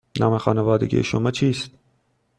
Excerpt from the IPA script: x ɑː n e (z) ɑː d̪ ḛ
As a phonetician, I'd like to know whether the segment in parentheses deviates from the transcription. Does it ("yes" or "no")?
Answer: yes